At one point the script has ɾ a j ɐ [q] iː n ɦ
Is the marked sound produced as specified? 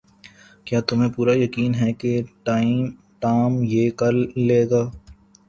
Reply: no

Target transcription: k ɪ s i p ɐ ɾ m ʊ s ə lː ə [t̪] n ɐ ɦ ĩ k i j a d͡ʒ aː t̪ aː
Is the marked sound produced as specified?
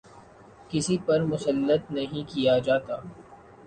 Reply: yes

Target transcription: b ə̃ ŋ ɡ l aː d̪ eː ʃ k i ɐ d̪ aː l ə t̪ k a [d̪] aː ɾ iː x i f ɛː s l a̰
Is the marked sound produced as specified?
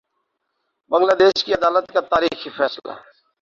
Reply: no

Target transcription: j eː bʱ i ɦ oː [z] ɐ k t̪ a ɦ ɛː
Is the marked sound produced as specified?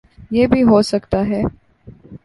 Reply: no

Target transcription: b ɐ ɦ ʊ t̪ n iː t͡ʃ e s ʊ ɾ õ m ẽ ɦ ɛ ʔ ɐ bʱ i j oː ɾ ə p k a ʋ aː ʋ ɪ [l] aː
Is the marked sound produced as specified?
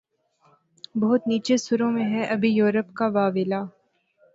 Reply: yes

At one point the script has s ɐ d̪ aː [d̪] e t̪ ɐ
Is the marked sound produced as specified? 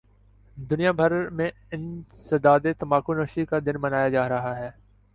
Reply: yes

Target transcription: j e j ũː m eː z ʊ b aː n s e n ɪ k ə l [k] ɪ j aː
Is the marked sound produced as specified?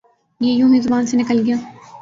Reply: no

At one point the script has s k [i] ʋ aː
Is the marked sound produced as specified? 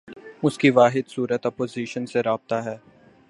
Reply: yes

